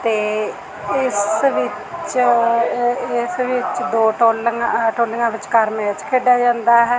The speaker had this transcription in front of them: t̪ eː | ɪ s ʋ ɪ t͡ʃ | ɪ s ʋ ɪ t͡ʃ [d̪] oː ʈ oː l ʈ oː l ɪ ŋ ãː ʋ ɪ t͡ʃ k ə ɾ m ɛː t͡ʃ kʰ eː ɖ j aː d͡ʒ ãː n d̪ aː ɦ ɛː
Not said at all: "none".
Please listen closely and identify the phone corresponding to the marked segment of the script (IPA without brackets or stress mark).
d̪